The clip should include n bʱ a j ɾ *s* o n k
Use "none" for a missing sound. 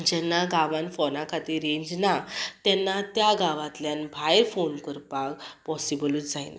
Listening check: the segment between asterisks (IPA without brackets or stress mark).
f